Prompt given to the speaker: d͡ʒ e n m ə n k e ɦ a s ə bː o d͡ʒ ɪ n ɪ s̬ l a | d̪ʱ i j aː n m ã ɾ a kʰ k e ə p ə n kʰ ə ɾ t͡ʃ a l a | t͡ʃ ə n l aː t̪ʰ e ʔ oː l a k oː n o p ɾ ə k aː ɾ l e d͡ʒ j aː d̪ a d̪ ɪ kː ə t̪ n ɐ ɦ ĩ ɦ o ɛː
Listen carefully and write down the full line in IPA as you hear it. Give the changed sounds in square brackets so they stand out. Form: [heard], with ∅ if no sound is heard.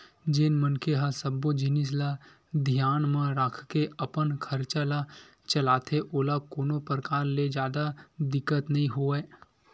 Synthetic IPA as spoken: d͡ʒ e n m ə n k e ɦ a s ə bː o d͡ʒ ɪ n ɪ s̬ l a | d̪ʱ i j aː n m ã ɾ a kʰ k e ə p ə n kʰ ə ɾ t͡ʃ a l a | t͡ʃ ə [∅] l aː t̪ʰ e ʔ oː l a k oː n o p ɾ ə k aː ɾ l e d͡ʒ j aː d̪ a d̪ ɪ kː ə t̪ n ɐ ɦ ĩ ɦ o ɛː